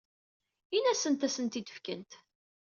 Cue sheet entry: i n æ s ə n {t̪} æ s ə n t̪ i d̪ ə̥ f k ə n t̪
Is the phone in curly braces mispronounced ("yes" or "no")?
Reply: no